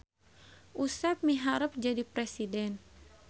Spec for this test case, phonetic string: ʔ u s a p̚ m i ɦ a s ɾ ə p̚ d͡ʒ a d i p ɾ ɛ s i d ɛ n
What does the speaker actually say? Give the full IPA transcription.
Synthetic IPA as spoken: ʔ u s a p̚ m i ɦ a ɾ ə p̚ d͡ʒ a d i p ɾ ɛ s i d ɛ n